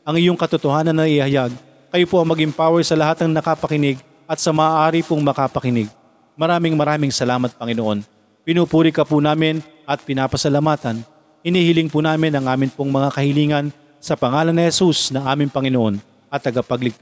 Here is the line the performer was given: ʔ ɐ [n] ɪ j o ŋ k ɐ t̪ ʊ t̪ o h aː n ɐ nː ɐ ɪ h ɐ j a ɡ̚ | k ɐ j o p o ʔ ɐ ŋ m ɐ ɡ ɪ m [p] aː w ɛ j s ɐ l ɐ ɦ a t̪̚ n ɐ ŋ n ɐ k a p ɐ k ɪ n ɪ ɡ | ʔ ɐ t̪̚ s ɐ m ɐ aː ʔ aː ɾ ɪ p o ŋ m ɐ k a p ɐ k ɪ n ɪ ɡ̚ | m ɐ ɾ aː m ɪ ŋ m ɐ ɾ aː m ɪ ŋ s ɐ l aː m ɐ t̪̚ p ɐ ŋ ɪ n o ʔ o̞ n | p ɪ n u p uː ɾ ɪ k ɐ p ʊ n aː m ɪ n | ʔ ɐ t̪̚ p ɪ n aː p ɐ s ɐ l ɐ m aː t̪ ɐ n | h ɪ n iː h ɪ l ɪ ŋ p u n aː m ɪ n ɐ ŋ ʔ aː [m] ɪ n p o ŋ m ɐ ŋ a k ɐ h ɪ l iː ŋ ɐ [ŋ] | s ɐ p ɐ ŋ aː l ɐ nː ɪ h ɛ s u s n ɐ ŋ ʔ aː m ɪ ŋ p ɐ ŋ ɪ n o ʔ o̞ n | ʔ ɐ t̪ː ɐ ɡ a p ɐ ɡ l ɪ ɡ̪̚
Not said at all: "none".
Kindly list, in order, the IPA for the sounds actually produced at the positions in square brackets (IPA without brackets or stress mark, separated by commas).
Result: ŋ, p, m, n